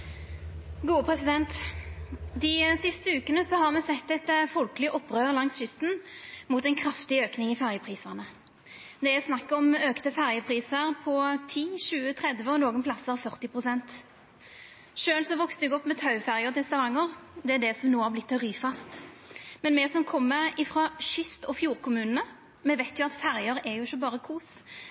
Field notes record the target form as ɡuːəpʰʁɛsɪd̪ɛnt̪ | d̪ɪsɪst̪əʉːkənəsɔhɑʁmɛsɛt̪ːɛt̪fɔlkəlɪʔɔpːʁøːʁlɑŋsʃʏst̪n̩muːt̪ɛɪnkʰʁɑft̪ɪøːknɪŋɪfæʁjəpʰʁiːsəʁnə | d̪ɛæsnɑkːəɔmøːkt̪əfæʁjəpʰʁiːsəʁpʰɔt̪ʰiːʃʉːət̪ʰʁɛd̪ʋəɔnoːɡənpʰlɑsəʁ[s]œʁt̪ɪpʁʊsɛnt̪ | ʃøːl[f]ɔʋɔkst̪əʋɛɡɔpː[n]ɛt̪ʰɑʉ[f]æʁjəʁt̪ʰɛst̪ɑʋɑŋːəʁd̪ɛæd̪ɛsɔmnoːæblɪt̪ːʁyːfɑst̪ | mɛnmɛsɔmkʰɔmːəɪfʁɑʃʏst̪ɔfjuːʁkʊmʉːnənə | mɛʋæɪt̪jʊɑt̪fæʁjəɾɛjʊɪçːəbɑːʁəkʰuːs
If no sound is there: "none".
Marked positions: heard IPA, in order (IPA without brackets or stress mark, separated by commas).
f, s, m, f